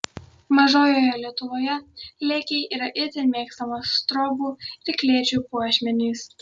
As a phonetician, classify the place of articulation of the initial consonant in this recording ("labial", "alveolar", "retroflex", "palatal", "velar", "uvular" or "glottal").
labial